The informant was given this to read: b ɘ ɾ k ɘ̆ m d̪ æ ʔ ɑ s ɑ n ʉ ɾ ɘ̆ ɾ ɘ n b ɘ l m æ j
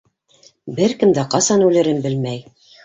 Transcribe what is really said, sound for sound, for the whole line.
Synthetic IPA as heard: b ɘ ɾ k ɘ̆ m d̪ æ q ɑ s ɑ n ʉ l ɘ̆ ɾ ɘ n b ɘ l m æ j

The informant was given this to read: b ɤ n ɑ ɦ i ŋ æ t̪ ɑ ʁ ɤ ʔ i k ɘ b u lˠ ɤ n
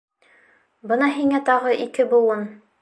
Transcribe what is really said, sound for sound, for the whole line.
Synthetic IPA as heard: b ɤ n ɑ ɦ i ŋ æ t̪ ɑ ʁ ɤ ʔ i k ɘ b u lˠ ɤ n

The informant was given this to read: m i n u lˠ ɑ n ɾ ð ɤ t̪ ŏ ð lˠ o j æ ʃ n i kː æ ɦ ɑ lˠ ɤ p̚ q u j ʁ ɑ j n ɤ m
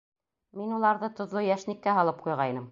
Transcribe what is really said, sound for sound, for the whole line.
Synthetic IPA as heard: m i n u lˠ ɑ ɾ ð ɤ t̪ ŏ ð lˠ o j æ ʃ n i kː æ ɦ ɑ lˠ ɤ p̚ q u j ʁ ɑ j n ɤ m

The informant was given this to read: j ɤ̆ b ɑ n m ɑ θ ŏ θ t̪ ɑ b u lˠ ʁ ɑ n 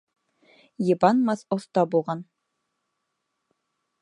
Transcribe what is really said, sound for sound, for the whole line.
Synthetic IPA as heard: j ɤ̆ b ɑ n m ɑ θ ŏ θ t̪ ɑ b u lˠ ʁ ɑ n

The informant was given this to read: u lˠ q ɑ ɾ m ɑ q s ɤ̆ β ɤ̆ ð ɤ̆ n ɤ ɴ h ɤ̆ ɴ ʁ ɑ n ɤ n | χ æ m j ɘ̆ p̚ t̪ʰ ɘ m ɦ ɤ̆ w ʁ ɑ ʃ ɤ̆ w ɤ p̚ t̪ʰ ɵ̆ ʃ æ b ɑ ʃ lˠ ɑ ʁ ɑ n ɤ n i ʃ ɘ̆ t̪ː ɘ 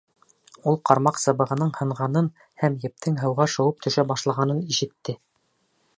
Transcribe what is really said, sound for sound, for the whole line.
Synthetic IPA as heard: u lˠ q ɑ ɾ m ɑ q s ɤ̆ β ɤ̆ ʁ ɤ̆ n ɤ ɴ h ɤ̆ ɴ ʁ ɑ n ɤ n | h æ m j ɘ̆ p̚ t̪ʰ ɘ ŋ ɦ ɤ̆ w ʁ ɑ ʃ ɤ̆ w ɤ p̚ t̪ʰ ɵ̆ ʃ æ b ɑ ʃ lˠ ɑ ʁ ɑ n ɤ n i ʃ ɘ̆ t̪ː ɘ

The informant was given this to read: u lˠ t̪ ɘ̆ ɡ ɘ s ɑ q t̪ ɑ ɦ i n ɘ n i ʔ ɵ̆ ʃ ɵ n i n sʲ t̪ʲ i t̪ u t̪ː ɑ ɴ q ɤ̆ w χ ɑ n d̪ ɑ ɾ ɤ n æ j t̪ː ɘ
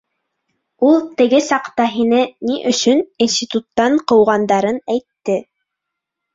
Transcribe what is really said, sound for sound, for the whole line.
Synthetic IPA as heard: u lˠ t̪ ɘ̆ ɡ ɘ s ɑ q t̪ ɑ ɦ i n ɘ n i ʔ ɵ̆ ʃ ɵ n i n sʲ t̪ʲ i t̪ u t̪ː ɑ ɴ q ɤ̆ w ʁ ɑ n d̪ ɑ ɾ ɤ n æ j t̪ː ɘ

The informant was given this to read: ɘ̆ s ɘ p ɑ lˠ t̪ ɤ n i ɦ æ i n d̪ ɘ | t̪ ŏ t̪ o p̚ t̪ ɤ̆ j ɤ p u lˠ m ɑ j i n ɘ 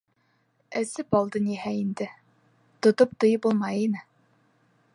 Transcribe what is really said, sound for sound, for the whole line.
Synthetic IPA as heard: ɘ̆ s ɘ p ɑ lˠ d̪ ɤ n i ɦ æ i n d̪ ɘ | t̪ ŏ t̪ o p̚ t̪ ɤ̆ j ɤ p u lˠ m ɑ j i n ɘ

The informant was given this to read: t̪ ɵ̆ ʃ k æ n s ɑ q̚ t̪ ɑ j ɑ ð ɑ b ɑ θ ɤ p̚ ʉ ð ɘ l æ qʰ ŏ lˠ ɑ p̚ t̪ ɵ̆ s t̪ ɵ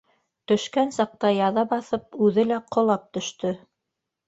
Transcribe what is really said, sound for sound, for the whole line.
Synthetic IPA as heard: t̪ ɵ̆ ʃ k æ n s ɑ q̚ t̪ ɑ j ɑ ð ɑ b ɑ θ ɤ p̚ ʉ ð ɘ l æ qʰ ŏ lˠ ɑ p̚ t̪ ɵ̆ ʃ t̪ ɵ

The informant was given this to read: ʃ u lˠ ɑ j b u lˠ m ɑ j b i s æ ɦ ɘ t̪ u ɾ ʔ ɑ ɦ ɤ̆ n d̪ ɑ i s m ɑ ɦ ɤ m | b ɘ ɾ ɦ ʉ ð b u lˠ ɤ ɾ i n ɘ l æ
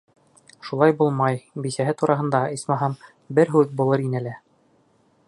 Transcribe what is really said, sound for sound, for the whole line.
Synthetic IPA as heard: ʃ u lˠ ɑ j b u lˠ m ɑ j b i s æ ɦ ɘ t̪ u ɾ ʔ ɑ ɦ ɤ̆ n d̪ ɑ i s m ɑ ɦ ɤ m | b ɘ ɾ ɦ ʉ ð b u lˠ ɤ ɾ i n ɘ l æ

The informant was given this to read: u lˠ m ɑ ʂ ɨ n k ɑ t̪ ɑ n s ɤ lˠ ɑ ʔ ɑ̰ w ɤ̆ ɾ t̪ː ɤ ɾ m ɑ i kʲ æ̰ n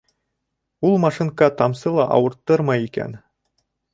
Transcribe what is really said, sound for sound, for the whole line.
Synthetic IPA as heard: u lˠ m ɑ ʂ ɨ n k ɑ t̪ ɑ m s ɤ lˠ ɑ ʔ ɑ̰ w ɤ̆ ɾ t̪ː ɤ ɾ m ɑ i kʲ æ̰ n

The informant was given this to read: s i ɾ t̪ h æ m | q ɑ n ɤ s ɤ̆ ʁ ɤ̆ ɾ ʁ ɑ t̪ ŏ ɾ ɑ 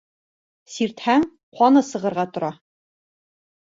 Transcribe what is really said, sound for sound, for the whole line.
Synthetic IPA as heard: s i ɾ t̪ h æ ŋ | q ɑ n ɤ s ɤ̆ ʁ ɤ̆ ɾ ʁ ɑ t̪ ŏ ɾ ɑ

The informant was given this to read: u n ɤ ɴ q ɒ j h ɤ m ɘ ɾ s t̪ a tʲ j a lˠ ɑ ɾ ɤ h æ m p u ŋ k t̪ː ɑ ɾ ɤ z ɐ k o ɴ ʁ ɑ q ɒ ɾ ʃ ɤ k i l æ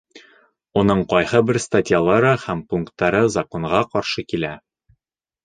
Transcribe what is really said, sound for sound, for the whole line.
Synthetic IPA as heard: u n ɤ ɴ q ɒ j h ɤ b ɘ ɾ s t̪ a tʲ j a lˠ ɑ ɾ ɤ h æ m p u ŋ k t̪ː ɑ ɾ ɤ z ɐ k o ɴ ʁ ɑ q ɒ ɾ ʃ ɤ k i l æ

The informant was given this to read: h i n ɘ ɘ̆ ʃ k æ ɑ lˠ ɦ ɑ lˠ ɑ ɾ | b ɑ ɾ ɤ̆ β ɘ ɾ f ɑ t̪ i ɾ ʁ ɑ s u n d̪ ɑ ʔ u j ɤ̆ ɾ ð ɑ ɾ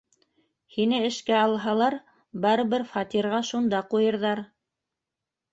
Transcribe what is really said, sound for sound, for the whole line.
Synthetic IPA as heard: h i n ɘ ɘ̆ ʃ k æ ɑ lˠ ɦ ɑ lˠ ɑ ɾ | b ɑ ɾ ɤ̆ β ɘ ɾ f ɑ t̪ i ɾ ʁ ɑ ʃ u n d̪ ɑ q u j ɤ̆ ɾ ð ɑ ɾ

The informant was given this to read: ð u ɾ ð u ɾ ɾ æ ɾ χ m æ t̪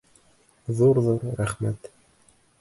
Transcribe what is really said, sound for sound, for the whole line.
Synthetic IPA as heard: ð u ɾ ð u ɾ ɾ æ χ m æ t̪

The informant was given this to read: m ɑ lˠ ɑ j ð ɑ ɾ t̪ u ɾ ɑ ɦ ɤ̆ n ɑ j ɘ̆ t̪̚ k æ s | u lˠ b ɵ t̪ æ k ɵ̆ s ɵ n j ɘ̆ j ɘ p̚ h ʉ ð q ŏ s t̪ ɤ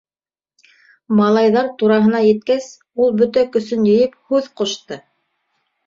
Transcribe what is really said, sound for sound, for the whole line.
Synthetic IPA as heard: m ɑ lˠ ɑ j ð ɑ ɾ t̪ u ɾ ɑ ɦ ɤ̆ n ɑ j ɘ̆ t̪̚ k æ s | u lˠ b ɵ t̪ æ k ɵ̆ s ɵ n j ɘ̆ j ɘ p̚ h ʉ ð q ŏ ʃ t̪ ɤ

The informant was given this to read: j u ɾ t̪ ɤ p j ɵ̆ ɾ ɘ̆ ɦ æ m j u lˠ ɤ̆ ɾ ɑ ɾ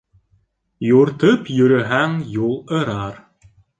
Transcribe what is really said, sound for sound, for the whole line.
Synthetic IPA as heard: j u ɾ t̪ ɤ p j ɵ̆ ɾ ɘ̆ ɦ æ ŋ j u lˠ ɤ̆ ɾ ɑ ɾ

